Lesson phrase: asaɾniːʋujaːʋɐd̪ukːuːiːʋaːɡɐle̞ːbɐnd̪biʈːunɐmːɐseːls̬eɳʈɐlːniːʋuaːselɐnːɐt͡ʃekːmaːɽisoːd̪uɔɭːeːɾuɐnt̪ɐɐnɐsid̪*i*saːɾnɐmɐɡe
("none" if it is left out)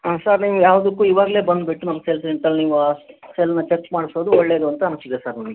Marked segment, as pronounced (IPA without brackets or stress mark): e